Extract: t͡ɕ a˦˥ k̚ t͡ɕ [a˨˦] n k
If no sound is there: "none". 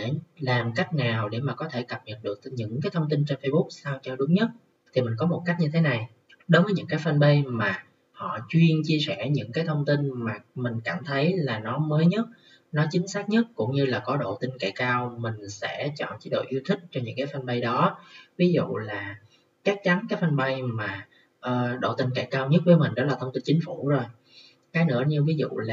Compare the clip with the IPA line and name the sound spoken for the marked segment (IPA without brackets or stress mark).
a˨˦